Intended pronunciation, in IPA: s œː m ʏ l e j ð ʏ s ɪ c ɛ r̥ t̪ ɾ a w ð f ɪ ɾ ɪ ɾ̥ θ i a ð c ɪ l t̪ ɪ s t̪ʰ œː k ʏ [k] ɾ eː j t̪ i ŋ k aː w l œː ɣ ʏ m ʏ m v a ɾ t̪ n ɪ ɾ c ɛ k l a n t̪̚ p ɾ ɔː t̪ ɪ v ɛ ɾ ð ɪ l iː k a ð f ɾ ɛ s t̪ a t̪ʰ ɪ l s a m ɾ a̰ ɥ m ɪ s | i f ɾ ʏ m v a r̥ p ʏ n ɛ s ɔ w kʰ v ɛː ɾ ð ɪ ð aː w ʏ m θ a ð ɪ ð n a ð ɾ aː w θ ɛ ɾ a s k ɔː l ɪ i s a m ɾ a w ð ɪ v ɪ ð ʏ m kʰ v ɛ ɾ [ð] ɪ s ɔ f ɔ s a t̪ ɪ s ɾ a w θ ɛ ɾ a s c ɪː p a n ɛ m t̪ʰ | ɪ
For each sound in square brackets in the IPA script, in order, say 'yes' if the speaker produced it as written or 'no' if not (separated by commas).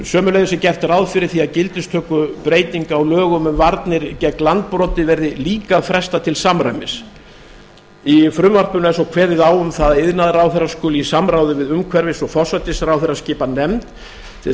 no, no